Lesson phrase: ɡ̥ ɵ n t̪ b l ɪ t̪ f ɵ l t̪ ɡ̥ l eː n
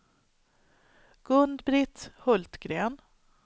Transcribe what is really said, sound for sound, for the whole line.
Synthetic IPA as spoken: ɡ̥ ɵ n d̪ b ɾ ɪ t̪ h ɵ l t̪ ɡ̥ ɾ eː n